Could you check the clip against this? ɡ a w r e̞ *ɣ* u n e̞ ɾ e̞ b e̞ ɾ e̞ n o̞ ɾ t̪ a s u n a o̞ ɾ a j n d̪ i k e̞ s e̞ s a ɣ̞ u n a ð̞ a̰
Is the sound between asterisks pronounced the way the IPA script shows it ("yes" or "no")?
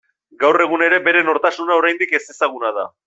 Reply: yes